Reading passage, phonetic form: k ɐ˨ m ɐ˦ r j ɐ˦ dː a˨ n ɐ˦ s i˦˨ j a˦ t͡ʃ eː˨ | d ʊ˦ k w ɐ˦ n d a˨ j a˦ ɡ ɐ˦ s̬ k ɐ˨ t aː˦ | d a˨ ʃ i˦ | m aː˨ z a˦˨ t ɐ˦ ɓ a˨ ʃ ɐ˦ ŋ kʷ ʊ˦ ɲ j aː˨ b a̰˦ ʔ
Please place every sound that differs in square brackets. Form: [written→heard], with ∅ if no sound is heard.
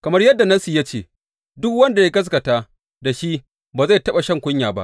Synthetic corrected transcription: k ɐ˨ m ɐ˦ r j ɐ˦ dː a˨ n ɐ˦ s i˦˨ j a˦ t͡ʃ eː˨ | d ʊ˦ k w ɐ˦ n d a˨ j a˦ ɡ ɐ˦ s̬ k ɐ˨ t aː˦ | d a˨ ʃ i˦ | [m→b] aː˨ z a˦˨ t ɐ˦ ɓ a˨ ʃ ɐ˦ ŋ kʷ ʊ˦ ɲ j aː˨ b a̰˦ ʔ